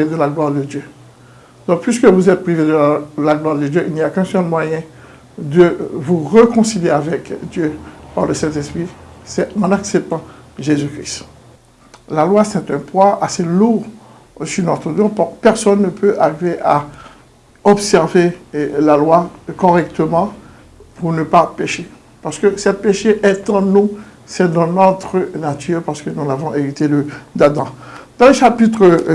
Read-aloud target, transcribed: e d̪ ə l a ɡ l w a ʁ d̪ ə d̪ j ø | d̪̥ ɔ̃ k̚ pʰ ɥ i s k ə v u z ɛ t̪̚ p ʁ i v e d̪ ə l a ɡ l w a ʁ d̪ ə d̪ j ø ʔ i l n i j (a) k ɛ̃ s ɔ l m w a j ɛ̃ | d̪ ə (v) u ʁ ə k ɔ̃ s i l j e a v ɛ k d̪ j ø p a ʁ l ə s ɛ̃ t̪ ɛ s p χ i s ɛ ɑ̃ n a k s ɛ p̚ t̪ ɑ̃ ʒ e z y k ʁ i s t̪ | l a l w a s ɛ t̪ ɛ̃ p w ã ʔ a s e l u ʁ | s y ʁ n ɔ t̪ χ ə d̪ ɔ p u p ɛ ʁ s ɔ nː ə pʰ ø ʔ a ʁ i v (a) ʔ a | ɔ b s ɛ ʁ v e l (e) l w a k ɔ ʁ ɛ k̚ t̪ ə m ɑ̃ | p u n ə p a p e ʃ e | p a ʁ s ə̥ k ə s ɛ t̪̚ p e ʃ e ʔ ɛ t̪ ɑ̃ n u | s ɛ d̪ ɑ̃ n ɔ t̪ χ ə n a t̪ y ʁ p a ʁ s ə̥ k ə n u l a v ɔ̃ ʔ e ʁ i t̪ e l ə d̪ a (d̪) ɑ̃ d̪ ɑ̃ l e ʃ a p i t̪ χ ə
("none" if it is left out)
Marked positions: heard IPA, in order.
a, v, e, a, d̪

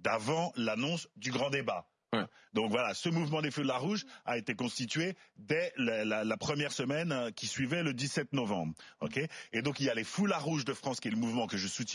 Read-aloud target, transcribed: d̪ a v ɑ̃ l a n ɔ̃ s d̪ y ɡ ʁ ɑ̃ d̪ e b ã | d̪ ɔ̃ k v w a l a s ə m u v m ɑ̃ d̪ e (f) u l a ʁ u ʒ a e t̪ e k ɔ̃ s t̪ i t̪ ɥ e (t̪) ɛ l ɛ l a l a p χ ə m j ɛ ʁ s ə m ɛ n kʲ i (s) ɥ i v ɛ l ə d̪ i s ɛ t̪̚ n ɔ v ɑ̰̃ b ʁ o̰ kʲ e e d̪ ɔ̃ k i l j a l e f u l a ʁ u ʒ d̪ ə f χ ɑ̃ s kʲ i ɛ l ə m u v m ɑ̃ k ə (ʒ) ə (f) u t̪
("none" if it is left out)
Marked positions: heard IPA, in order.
f, d̪, s, ʒ, s

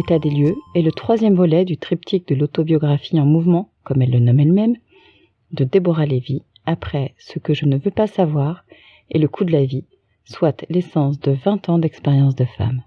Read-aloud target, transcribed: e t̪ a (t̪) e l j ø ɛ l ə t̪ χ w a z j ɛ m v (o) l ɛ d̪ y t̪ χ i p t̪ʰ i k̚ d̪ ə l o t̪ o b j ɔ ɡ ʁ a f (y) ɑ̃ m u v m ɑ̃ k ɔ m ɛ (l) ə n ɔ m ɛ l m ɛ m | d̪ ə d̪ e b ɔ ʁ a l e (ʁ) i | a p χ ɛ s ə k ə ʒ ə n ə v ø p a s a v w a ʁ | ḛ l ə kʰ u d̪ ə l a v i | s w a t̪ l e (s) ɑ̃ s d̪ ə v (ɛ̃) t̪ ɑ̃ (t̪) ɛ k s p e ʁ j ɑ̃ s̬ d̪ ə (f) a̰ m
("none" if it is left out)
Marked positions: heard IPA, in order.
d̪, ɔ, i, lː, v, s, ɛ̃, d̪, f

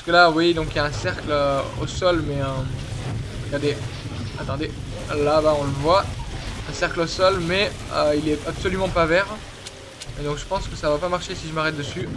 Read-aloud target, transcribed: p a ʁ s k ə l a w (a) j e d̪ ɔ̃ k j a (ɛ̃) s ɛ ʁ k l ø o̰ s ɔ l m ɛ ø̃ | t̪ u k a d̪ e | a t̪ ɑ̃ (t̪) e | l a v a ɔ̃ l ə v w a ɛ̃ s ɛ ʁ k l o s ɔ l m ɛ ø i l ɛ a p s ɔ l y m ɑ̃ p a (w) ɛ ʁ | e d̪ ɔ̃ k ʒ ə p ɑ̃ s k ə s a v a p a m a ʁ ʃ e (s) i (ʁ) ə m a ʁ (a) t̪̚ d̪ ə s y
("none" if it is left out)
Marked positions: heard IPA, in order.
i, ɛ̃, d̪, v, s, ʒ, ɛ

